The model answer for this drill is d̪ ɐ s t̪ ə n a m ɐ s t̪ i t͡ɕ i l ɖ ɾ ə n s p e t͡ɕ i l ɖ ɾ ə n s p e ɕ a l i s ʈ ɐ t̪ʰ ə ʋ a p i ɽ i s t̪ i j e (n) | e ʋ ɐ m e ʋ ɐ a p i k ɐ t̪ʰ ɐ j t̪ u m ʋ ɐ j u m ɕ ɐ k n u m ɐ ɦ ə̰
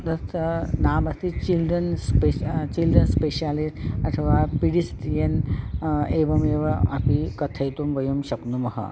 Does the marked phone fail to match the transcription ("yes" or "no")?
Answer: no